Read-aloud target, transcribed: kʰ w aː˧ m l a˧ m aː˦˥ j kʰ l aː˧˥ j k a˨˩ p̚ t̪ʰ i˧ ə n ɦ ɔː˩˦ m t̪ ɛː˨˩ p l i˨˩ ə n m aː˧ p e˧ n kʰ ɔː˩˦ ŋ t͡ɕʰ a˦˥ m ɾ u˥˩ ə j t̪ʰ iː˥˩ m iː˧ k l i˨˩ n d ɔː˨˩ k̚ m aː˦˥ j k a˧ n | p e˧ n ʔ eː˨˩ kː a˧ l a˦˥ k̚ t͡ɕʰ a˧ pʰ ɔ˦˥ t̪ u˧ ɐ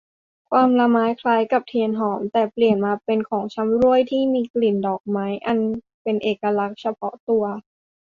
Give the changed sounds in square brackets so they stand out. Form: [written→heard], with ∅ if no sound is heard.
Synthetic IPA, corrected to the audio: kʰ w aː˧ m l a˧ m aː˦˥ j kʰ l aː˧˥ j k a˨˩ p̚ t̪ʰ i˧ ə n ɦ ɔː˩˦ m t̪ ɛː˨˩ p l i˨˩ ə n m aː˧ p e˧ n kʰ ɔː˩˦ ŋ t͡ɕʰ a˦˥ m ɾ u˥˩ ə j t̪ʰ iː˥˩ m iː˧ k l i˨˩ n d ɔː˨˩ k̚ m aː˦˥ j [k→ʔ] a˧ n | p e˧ n ʔ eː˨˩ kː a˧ l a˦˥ k̚ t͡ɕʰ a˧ pʰ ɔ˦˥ t̪ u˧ ɐ